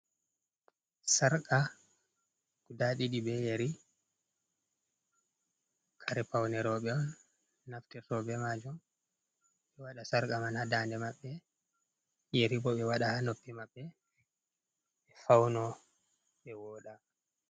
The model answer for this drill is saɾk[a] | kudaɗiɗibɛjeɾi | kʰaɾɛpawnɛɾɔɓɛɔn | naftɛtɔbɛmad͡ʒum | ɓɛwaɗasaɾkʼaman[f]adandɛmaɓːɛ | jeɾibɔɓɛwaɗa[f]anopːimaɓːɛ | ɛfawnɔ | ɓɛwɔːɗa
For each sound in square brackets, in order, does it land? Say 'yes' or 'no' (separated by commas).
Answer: yes, no, no